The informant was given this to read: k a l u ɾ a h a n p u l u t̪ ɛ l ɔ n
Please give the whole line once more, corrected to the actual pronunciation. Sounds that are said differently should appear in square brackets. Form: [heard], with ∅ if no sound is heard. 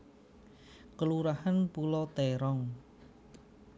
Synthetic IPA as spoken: k [ə] l u ɾ a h a n p u l [ɔ] t̪ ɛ [ɾ] ɔ [ŋ]